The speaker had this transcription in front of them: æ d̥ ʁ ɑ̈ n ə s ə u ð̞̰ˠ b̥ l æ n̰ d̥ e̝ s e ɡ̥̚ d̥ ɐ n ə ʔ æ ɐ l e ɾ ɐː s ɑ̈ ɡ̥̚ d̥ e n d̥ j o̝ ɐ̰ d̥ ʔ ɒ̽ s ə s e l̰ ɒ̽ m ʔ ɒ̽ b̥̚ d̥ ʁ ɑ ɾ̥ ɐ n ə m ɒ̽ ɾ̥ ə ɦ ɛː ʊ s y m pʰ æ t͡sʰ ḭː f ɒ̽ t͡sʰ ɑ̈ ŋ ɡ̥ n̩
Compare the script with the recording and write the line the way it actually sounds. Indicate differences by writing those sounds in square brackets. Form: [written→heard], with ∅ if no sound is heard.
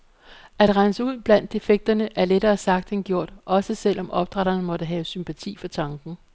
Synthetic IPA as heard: æ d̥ ʁ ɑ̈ n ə s ə u ð̞̰ˠ b̥ l æ n̰ d̥ e̝ [s→f] e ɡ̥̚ d̥ ɐ n ə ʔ æ ɐ l e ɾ ɐː s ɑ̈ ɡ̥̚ d̥ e n [d̥→ɡ̥] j o̝ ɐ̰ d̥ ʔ ɒ̽ s ə s e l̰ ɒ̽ m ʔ ɒ̽ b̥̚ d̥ ʁ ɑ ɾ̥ ɐ n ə m ɒ̽ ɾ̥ ə ɦ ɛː ʊ s y m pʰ æ t͡sʰ ḭː f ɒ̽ t͡sʰ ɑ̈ ŋ ɡ̥ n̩